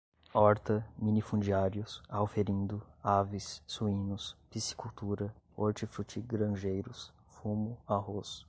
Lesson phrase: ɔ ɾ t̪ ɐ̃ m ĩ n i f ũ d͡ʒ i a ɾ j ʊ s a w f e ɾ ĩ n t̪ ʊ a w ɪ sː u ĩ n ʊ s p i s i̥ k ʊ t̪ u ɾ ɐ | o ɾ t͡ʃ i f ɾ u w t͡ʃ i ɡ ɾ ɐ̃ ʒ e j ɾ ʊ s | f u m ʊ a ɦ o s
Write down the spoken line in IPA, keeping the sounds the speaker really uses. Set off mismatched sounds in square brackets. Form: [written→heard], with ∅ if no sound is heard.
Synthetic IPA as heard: ɔ ɾ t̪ [ɐ̃→ɐ] m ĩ n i f ũ d͡ʒ i a ɾ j ʊ s a w f e ɾ ĩ n [t̪→d̪] ʊ a [w→v] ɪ sː u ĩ n ʊ s p i s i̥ k [ʊ→u] t̪ u ɾ ɐ | o ɾ t͡ʃ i f ɾ u [w→∅] t͡ʃ i ɡ ɾ ɐ̃ ʒ e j ɾ ʊ s | f u m ʊ a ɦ o s